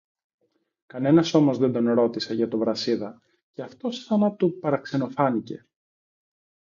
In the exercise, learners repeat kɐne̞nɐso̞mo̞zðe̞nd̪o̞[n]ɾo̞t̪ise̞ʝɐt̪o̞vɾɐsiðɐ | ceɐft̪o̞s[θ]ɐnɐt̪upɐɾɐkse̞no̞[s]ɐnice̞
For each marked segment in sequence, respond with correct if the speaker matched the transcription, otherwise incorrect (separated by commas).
correct, correct, incorrect